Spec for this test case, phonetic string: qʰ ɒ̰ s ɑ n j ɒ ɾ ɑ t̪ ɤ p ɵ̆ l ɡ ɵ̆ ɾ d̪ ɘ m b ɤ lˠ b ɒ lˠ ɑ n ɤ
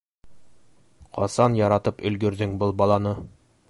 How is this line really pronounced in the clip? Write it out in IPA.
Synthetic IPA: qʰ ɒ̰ s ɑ n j ɒ ɾ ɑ t̪ ɤ p ɵ̆ l ɡ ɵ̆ ɾ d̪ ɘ ŋ b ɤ lˠ b ɒ lˠ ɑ n ɤ